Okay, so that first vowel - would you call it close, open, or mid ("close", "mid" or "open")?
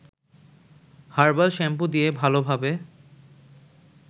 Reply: open